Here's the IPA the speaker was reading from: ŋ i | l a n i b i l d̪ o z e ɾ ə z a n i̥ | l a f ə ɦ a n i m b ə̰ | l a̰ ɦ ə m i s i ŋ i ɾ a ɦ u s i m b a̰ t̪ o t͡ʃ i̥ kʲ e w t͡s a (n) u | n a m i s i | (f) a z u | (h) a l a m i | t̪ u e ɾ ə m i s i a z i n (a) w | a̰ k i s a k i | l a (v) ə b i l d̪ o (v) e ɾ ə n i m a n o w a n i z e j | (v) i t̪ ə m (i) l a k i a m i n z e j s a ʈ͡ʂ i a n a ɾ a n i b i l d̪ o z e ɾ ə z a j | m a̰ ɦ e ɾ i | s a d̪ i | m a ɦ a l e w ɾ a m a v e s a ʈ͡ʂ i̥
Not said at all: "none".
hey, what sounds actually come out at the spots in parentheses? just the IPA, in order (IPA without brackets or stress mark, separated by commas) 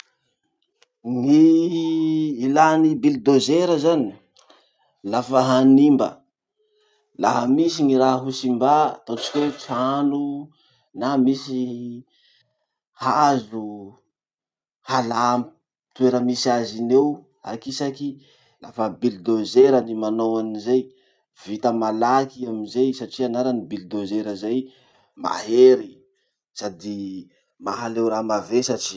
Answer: n, h, h, e, f, z, v, a